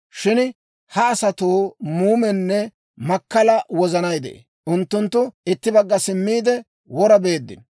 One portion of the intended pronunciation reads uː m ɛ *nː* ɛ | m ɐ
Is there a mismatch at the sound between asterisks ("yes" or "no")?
no